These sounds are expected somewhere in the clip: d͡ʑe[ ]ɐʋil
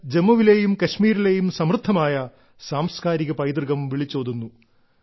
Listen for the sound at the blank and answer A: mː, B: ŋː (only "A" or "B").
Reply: A